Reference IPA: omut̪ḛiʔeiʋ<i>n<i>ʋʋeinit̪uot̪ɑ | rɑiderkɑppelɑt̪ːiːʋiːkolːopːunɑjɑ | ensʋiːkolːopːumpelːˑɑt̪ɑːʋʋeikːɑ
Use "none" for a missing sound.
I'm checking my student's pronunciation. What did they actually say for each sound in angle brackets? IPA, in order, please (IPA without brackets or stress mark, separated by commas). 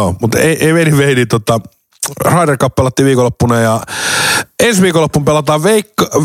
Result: e, i